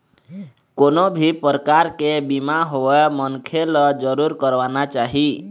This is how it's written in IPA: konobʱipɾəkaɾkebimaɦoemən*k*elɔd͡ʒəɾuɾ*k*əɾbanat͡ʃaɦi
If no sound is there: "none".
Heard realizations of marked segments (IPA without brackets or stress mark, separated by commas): kʰ, k